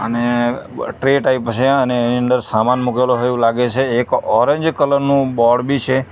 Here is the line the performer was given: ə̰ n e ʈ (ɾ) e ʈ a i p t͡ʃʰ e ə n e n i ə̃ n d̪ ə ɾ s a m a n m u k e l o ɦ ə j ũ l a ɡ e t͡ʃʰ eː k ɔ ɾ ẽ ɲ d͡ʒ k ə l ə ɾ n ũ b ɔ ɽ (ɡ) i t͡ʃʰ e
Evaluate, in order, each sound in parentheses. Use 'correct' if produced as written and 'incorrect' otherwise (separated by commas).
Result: correct, incorrect